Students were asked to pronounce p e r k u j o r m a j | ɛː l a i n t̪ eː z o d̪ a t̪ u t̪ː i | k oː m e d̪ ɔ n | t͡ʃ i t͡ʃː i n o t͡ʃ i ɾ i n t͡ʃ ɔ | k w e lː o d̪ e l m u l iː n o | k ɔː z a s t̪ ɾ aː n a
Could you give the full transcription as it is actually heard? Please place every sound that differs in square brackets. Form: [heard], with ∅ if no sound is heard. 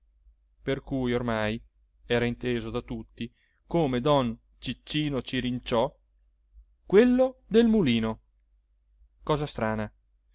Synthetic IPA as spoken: p e r k u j o r m a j | ɛː [ɾ] a i n t̪ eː z o d̪ a t̪ u t̪ː i | k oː m e d̪ ɔ n | t͡ʃ i t͡ʃː [iː] n o t͡ʃ i ɾ i n t͡ʃ ɔ | k w e lː o d̪ e l m u l iː n o | k ɔː z a s t̪ ɾ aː n a